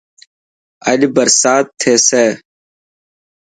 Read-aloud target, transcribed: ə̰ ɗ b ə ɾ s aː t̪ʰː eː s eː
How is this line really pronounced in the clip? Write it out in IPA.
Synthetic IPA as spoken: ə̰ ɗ b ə ɾ s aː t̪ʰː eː s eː